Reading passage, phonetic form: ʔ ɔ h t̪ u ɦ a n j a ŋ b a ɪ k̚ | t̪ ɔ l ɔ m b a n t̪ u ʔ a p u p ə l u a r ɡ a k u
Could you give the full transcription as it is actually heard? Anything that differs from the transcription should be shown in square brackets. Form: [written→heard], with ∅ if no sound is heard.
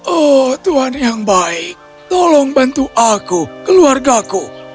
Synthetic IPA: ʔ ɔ h t̪ u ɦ a n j a ŋ b a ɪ k̚ | t̪ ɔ l ɔ [m→ŋ] b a n t̪ u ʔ a [p→k] u [p→k] ə l u a r ɡ a k u